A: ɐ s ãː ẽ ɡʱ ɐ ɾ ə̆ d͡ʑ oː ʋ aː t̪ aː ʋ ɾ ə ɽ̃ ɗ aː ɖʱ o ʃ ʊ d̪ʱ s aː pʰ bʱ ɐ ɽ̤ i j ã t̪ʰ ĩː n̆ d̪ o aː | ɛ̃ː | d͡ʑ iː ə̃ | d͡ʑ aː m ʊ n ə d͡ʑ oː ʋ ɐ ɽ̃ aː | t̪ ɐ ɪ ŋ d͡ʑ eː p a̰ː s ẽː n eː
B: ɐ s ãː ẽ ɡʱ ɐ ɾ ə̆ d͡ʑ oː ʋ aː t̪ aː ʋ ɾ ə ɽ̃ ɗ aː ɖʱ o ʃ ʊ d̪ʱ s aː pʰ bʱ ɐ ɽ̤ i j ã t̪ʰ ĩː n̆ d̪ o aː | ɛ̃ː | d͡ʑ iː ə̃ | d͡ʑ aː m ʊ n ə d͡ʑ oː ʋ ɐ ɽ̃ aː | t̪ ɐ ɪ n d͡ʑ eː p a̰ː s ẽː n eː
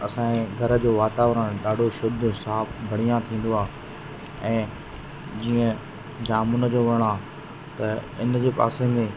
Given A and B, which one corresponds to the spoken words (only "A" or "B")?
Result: B